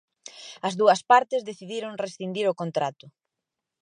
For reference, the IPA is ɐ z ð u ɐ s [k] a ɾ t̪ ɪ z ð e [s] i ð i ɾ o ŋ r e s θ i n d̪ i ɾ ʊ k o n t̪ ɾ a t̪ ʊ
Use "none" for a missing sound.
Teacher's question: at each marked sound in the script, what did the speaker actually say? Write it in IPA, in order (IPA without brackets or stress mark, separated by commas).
p, θ